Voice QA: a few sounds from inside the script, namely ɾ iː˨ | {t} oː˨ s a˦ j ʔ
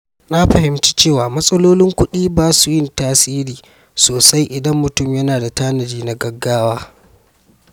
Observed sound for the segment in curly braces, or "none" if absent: s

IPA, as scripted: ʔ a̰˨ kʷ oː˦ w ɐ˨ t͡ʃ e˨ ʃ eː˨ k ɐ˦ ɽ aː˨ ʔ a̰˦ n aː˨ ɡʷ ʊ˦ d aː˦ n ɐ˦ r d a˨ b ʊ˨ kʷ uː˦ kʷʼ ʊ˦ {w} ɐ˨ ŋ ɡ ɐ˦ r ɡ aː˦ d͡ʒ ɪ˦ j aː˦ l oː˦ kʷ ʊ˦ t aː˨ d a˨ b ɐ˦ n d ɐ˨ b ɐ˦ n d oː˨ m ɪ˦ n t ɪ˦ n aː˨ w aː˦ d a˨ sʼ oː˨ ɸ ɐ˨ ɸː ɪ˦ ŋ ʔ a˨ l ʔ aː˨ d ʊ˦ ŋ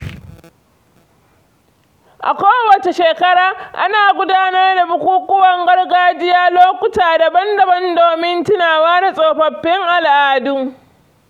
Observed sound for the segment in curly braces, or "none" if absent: w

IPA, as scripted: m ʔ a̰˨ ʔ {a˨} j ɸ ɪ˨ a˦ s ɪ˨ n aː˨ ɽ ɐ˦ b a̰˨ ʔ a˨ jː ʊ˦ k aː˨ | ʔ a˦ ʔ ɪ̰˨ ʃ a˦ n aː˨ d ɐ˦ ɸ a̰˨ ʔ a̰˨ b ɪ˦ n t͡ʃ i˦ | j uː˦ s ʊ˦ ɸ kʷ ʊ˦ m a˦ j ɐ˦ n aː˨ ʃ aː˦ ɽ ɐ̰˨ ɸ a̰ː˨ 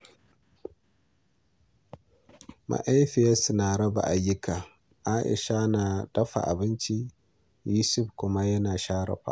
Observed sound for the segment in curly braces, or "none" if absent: a˦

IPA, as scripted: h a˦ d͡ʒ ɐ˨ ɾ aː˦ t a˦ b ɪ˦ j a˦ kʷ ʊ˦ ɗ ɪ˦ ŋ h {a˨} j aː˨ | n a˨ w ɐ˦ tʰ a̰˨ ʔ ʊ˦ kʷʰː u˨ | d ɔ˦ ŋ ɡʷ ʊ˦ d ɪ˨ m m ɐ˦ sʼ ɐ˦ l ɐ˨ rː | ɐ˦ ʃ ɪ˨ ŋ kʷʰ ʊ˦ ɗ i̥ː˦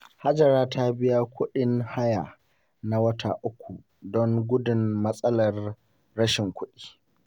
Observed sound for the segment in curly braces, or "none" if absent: a˦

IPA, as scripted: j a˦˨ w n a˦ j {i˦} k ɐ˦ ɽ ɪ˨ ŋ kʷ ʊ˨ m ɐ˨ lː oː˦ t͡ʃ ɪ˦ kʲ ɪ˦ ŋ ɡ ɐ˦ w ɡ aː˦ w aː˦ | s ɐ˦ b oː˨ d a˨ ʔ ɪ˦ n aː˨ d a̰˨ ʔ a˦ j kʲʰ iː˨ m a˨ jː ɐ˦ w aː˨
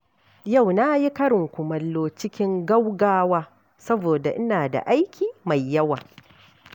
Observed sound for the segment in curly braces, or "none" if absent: i˦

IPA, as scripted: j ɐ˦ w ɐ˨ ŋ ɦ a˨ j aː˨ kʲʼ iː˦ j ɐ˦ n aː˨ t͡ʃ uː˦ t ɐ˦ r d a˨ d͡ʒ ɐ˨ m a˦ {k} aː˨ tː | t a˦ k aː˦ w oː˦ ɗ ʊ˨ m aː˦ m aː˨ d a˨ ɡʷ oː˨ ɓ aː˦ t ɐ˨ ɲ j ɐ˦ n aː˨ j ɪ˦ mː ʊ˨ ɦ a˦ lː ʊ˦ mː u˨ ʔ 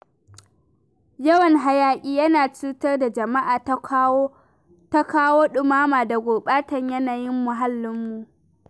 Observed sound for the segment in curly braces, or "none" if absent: ʔ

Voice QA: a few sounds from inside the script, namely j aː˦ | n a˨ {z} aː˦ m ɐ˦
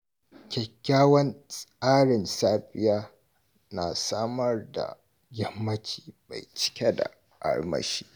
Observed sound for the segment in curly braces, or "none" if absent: s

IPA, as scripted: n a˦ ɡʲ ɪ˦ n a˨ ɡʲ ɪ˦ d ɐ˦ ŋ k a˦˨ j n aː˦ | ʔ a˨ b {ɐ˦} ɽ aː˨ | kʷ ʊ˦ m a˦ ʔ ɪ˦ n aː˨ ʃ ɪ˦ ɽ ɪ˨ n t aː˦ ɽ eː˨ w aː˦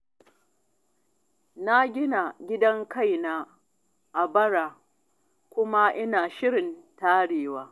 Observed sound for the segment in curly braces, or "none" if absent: ɐ˦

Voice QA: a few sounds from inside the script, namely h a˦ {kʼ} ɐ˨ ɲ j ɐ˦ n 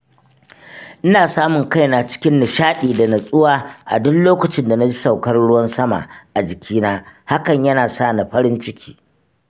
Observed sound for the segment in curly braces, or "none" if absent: k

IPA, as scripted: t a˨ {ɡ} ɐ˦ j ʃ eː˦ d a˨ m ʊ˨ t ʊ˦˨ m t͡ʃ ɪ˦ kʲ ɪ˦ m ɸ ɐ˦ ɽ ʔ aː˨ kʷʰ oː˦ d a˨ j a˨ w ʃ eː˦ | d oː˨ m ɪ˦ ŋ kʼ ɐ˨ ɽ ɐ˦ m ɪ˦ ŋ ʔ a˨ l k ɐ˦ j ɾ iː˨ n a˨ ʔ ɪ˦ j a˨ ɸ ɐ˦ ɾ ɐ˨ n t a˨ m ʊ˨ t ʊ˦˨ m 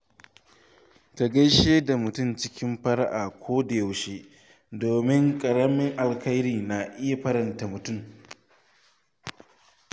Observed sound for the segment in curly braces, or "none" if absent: ɡ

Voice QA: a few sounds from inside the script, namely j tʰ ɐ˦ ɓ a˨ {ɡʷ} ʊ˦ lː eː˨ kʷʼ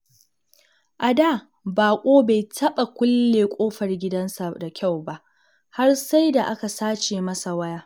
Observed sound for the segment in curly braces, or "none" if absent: kʷ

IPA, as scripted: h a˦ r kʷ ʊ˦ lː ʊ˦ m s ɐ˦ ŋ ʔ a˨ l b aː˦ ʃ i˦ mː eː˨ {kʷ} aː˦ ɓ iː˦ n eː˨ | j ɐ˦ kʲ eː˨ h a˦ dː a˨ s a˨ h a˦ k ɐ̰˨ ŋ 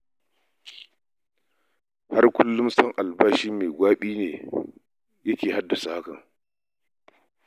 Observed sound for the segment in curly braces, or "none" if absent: ɡʷ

